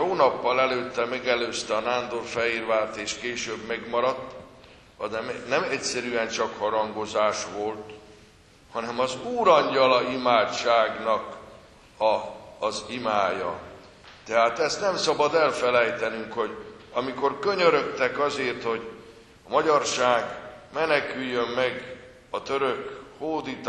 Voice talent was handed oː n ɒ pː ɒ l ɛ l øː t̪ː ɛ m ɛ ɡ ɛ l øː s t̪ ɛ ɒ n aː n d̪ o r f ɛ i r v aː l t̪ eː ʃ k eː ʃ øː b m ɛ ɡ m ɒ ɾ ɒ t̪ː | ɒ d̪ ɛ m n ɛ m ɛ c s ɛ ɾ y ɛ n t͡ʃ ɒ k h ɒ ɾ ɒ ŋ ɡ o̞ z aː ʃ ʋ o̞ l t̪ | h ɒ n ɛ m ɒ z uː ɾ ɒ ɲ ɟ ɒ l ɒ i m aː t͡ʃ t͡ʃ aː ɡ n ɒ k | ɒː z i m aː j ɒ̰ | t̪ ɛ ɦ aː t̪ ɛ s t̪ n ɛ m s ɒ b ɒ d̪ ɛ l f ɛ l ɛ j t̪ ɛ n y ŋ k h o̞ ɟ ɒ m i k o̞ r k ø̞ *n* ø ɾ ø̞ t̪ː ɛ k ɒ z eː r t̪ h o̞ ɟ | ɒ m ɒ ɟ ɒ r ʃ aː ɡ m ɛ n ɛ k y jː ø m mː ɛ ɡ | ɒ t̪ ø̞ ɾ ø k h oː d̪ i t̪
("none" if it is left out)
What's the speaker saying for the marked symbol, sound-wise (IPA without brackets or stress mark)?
ɲ